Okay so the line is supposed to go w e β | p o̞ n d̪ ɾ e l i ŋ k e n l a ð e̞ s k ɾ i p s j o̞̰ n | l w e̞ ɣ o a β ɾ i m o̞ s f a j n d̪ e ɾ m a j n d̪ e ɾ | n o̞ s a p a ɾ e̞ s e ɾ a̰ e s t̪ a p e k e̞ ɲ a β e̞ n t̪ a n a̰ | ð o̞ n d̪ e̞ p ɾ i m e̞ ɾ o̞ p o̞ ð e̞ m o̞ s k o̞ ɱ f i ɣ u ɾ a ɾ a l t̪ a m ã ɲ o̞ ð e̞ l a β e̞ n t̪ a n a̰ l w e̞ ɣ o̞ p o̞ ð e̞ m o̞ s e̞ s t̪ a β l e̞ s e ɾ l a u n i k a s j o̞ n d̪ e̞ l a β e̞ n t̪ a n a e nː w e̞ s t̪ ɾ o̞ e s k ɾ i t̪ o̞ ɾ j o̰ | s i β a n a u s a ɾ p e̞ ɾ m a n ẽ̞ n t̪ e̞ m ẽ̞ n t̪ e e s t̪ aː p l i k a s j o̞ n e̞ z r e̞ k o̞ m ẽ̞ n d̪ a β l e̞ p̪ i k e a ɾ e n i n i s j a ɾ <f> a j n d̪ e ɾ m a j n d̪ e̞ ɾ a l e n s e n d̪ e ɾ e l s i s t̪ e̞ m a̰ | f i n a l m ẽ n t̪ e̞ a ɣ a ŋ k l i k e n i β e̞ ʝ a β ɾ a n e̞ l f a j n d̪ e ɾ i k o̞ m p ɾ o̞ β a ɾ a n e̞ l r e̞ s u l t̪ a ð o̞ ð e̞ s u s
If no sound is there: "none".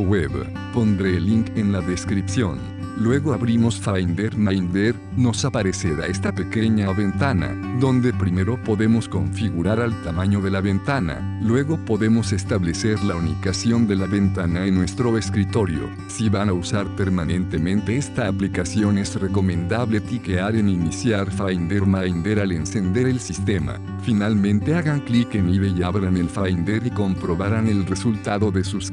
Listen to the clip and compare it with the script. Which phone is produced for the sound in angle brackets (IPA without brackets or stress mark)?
f